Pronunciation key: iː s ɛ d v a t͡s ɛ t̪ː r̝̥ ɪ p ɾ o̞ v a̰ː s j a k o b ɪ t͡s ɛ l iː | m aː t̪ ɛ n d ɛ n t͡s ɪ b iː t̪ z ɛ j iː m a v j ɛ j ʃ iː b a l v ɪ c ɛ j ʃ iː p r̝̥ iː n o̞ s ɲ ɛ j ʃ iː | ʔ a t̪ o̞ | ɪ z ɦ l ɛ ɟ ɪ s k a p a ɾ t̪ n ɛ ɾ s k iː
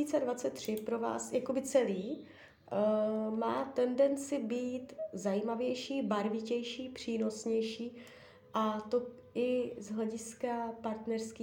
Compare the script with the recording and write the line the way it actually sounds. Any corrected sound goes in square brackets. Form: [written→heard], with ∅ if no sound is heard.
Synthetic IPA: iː [s→t͡s] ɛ d v a t͡s ɛ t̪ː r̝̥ ɪ p ɾ o̞ v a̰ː s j a k o b ɪ t͡s ɛ l iː | m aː t̪ ɛ n d ɛ n t͡s ɪ b iː t̪ z [ɛ→a] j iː m a v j ɛ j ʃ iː b a [l→ɾ] v ɪ c ɛ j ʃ iː p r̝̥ iː n o̞ s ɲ ɛ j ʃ iː | ʔ a t̪ o̞ | ɪ z ɦ l ɛ ɟ ɪ s k a p a ɾ t̪ n ɛ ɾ s k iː